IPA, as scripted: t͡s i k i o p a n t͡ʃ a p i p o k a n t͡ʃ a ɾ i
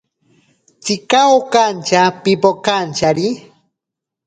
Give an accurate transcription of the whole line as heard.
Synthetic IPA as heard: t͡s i k a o k a n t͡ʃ a p i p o k a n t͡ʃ a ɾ i